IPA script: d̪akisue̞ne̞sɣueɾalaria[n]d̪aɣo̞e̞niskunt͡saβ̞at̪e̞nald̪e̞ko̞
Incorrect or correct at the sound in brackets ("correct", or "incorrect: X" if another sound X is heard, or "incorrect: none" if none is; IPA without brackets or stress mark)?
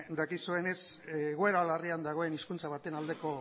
correct